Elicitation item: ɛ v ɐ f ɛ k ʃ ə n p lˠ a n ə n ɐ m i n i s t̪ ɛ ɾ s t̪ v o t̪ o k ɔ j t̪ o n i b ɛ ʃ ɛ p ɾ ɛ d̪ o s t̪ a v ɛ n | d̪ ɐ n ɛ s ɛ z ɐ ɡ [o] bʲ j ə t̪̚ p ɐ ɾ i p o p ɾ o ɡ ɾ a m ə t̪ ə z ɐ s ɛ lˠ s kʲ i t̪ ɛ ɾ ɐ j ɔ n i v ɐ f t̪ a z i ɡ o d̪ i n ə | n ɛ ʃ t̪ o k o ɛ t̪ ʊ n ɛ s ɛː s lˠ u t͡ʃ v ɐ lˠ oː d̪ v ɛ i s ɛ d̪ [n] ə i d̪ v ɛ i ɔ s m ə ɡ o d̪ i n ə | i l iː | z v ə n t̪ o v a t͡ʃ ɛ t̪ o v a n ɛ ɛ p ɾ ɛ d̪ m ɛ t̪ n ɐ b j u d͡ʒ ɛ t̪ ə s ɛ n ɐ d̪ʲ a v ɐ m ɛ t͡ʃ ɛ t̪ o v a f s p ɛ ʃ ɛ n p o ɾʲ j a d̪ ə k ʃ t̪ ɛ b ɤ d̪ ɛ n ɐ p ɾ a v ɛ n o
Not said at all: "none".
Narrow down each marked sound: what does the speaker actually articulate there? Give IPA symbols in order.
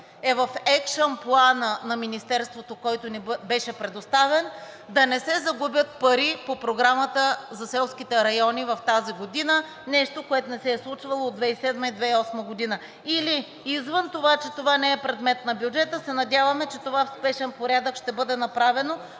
u, m

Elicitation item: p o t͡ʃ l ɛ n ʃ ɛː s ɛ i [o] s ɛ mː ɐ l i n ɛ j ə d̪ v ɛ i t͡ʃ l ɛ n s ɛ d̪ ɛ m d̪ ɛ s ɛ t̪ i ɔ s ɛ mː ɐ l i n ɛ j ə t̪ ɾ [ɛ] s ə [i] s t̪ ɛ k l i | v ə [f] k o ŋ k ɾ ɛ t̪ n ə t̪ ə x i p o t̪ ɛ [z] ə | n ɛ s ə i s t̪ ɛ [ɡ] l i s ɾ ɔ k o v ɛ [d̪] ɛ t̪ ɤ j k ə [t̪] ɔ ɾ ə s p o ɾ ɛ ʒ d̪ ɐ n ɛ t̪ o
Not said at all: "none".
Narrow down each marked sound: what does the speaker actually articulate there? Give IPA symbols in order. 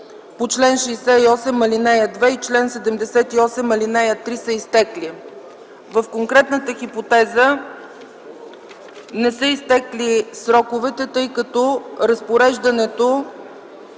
ɔ, i, i, f, z, k, t̪, t̪

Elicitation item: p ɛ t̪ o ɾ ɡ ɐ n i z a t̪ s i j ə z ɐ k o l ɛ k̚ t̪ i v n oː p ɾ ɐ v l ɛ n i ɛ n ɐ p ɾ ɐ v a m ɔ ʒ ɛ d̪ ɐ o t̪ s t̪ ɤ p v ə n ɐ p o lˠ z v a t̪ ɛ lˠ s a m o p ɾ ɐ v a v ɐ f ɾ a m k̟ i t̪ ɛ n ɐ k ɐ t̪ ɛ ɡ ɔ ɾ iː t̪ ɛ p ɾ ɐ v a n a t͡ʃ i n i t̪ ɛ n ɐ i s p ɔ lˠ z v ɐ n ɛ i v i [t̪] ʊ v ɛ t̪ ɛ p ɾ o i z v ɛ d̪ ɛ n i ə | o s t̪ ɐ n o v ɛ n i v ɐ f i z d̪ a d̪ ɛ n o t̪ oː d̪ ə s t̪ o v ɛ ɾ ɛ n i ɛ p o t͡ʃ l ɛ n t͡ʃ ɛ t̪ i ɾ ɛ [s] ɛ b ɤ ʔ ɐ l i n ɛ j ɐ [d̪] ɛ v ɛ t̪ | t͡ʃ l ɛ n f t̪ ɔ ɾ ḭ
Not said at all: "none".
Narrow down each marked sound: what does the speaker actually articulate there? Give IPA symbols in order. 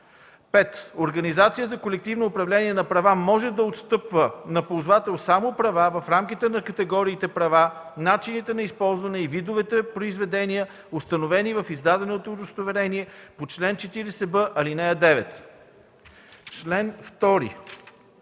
d̪, s, d̪

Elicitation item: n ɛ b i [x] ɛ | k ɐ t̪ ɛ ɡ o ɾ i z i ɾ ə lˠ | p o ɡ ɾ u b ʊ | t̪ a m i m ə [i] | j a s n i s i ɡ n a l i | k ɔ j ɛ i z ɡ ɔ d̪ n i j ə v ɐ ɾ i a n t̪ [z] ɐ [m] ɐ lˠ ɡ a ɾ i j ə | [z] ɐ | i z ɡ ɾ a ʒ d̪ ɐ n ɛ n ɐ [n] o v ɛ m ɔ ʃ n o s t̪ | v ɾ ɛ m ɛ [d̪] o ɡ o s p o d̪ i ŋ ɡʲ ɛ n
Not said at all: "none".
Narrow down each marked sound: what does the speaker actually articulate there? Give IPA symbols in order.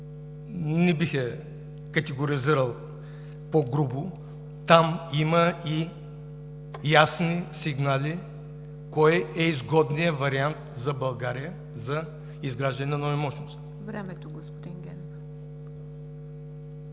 x, i, z, b, z, n, t̪

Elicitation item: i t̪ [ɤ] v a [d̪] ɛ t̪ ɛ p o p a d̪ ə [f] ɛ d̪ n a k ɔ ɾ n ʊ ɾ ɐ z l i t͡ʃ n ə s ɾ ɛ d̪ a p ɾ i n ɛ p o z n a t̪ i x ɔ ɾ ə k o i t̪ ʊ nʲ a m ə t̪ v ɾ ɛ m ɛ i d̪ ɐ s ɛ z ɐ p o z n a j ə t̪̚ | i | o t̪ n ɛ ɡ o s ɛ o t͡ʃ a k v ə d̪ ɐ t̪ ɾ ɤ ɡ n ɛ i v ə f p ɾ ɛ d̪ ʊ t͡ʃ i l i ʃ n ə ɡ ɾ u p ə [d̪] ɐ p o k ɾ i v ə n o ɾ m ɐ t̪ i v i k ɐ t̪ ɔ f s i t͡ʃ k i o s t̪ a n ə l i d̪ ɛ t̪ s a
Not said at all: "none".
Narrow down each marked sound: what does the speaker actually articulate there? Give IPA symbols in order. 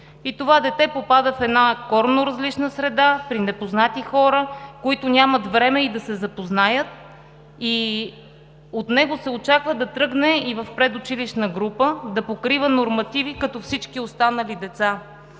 o, d̪, f, d̪

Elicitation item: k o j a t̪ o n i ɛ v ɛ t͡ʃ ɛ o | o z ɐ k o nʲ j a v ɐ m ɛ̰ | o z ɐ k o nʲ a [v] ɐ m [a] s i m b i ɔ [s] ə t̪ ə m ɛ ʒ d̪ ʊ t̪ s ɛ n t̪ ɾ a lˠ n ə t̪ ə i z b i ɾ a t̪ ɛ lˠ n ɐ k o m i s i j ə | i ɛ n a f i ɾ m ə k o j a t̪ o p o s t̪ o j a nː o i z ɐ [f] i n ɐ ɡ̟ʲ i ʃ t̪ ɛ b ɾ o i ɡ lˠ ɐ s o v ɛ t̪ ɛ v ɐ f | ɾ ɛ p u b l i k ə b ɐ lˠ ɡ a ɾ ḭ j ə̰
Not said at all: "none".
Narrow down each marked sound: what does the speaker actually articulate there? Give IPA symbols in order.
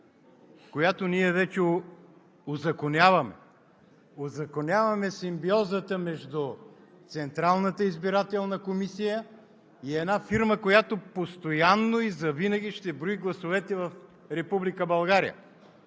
v, ɛ, z, v

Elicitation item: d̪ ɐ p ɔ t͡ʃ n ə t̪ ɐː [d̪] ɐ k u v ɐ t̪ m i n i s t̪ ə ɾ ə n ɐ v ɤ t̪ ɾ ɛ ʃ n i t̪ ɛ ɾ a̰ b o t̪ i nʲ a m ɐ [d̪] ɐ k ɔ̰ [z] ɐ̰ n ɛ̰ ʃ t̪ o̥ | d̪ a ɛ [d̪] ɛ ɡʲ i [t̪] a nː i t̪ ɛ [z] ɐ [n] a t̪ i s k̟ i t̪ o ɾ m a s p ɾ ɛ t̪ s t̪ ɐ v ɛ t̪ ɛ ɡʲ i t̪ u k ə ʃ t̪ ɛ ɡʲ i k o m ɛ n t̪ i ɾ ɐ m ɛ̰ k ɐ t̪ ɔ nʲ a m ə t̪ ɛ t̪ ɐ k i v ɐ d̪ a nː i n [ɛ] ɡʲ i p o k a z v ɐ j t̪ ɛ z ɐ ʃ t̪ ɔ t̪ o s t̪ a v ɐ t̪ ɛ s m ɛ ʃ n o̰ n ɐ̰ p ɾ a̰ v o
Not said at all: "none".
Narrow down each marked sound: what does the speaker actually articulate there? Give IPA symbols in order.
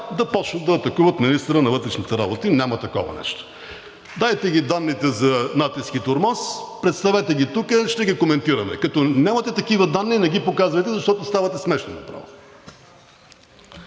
t̪, t̪, v, t̪, d̪, z, n, ɛ

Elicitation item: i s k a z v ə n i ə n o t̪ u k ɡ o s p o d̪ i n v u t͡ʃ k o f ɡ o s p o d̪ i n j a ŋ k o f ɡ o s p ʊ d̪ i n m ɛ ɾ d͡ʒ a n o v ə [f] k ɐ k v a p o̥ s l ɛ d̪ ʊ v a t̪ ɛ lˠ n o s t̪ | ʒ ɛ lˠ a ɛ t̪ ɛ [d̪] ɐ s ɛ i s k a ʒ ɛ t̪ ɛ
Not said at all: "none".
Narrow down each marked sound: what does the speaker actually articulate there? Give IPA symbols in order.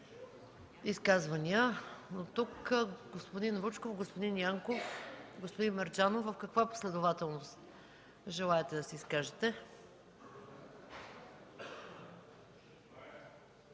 f, d̪

